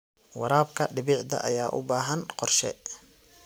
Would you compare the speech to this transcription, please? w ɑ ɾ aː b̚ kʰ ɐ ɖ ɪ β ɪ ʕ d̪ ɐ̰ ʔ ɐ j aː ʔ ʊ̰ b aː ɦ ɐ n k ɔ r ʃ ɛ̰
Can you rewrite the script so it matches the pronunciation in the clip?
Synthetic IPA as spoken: w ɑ ɾ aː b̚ kʰ ɐ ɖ ɪ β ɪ ʕ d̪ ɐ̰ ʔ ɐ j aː ʔ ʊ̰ b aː ɦ ɐ n q ɔ r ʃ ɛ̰